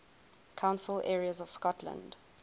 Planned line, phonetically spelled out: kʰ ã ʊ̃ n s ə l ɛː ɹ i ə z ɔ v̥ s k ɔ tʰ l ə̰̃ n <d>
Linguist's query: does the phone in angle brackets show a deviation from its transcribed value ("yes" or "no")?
no